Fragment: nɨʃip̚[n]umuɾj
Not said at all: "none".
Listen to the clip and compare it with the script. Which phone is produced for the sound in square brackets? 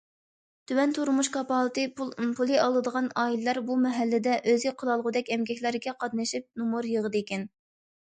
n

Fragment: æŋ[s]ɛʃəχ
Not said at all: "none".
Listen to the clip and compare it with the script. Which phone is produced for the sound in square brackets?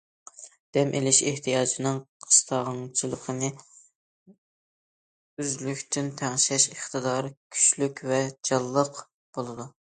ʃ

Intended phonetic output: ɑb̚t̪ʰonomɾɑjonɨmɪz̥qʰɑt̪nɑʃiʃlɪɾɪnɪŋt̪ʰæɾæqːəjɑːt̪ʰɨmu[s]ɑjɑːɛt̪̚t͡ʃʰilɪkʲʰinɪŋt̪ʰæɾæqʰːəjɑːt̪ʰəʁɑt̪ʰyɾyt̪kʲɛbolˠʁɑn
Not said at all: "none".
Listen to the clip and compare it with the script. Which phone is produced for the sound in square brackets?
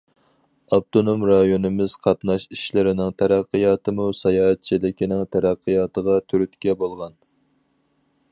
s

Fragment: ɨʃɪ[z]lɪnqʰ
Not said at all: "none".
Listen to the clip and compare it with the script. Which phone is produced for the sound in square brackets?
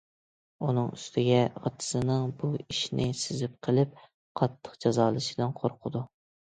none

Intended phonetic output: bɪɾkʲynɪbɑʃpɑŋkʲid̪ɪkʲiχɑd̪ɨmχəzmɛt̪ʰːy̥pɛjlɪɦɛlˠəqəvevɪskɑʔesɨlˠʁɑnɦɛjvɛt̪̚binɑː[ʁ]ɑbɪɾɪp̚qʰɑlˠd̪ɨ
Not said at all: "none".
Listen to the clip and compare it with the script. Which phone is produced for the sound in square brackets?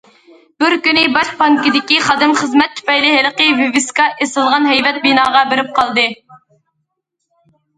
ʁ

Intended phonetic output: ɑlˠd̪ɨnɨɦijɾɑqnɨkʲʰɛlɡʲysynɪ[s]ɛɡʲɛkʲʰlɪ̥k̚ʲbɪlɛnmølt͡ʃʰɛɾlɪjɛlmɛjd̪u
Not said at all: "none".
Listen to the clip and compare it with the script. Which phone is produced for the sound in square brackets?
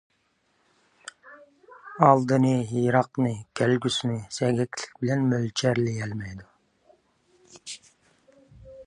s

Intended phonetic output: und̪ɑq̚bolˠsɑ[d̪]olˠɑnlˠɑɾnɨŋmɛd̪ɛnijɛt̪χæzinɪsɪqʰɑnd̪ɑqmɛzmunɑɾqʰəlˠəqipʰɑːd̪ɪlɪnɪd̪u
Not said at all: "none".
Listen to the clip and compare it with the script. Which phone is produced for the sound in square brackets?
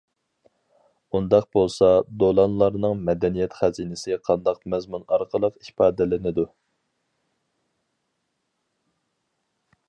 d̪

